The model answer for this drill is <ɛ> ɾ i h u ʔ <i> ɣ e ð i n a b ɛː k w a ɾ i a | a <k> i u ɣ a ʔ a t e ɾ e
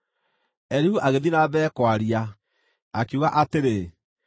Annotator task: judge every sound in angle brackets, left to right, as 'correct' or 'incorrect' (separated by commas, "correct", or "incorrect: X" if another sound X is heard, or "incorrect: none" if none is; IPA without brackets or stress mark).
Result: correct, incorrect: a, correct